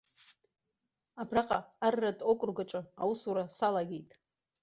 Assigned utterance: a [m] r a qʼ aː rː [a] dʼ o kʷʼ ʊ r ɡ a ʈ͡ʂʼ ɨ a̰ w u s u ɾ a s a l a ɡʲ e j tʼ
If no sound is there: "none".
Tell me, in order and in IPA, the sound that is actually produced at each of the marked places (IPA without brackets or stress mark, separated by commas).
b, a